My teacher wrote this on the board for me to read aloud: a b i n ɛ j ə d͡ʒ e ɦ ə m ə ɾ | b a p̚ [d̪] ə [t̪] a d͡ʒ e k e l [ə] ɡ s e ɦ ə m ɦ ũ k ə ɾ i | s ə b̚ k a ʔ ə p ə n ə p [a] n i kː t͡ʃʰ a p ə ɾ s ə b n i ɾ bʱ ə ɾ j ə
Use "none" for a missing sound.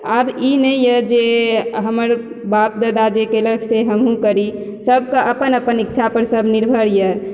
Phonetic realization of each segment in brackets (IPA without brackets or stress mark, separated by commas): d̪, d̪, ə, ə